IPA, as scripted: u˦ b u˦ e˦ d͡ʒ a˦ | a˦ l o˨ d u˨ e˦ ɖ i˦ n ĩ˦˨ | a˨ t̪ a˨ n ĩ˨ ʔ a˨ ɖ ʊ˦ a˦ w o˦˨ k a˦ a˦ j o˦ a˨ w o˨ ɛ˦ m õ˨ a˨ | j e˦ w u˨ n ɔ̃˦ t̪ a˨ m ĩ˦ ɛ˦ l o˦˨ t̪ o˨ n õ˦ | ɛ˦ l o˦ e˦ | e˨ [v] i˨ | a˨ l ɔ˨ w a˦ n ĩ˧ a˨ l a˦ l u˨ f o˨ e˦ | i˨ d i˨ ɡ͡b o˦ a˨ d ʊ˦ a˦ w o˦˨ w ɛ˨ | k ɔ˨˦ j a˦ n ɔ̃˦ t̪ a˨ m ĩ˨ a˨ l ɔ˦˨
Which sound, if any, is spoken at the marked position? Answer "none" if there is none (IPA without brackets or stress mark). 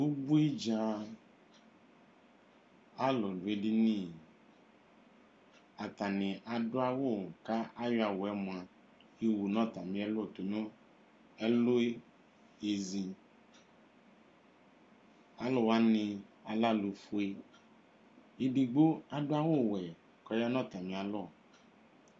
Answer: z